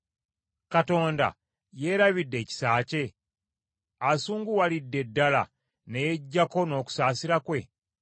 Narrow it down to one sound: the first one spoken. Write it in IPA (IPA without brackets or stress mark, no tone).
k